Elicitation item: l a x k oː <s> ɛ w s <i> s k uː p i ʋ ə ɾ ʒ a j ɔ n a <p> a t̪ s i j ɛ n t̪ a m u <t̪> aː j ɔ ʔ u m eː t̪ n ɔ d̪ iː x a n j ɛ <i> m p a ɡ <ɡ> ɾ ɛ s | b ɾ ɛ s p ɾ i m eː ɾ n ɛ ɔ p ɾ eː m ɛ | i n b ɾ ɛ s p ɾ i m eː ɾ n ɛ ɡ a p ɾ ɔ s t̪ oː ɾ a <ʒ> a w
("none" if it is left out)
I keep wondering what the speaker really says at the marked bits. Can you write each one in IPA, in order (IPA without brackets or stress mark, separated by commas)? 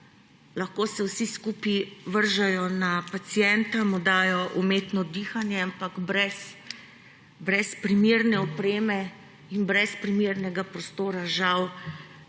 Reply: s, i, p, d̪, a, b, ʒ